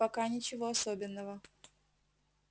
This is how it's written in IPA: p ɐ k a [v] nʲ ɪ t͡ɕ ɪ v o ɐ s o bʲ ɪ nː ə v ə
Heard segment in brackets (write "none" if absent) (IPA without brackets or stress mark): none